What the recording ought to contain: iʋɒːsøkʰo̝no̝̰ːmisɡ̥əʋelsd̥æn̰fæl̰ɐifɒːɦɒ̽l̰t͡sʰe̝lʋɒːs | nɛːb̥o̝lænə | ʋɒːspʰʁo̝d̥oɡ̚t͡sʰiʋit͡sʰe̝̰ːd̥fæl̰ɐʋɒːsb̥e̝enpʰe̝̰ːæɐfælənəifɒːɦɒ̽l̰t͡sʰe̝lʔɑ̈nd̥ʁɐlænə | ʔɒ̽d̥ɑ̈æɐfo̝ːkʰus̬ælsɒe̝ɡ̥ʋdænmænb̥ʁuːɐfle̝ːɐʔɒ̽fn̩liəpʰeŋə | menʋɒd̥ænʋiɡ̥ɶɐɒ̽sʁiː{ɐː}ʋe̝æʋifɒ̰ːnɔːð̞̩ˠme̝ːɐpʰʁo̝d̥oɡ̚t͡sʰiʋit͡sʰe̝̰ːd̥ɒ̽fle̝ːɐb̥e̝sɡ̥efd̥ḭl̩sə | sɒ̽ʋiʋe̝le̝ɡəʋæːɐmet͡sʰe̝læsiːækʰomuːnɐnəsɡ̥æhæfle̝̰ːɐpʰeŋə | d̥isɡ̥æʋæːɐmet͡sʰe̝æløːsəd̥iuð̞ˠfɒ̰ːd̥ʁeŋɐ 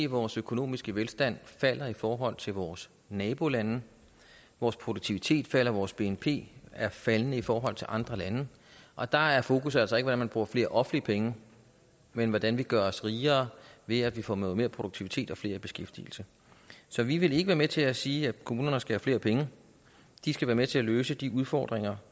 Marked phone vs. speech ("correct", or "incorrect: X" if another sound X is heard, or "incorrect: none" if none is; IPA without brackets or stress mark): correct